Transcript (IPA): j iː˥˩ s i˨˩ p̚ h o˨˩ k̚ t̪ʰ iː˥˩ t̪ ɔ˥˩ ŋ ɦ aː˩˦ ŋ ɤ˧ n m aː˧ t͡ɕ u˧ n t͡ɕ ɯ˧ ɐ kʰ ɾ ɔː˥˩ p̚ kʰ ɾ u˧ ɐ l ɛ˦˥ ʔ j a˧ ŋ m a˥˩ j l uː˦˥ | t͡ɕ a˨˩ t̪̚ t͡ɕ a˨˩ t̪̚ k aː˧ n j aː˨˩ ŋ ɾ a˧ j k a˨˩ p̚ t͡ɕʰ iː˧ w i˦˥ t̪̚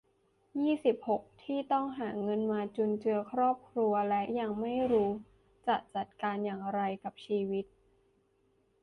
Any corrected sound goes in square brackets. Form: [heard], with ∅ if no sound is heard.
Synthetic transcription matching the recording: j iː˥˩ s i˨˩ p̚ h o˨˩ k̚ t̪ʰ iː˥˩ t̪ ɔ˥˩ ŋ ɦ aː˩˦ ŋ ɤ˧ n m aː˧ t͡ɕ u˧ n t͡ɕ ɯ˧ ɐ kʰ ɾ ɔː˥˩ p̚ kʰ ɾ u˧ ɐ l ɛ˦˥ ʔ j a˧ ŋ m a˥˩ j [ɾ] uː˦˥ | t͡ɕ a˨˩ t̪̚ t͡ɕ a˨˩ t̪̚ k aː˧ n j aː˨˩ ŋ ɾ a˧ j k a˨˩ p̚ t͡ɕʰ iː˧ w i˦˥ t̪̚